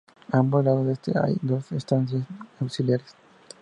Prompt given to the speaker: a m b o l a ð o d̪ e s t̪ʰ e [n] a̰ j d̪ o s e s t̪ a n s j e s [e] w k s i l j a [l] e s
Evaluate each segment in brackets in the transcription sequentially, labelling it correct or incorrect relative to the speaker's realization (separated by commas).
incorrect, incorrect, incorrect